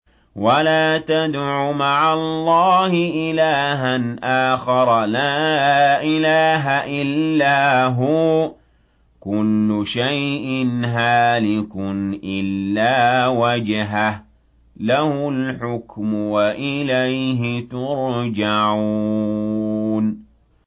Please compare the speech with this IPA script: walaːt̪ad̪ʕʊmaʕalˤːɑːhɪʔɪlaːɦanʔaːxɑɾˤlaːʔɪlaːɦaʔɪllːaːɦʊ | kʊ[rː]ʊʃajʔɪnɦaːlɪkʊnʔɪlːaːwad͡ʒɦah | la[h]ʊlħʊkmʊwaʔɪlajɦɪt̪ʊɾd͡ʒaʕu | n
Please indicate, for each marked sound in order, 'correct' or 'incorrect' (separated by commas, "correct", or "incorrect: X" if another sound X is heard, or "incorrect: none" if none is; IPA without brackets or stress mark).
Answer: incorrect: lː, correct